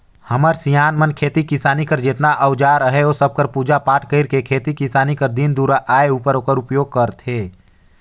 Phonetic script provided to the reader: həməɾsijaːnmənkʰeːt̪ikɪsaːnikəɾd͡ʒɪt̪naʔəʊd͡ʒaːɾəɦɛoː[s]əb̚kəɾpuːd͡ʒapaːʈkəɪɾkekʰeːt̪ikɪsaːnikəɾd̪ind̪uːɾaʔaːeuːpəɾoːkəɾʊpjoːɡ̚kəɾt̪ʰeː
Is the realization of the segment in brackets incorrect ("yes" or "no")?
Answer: no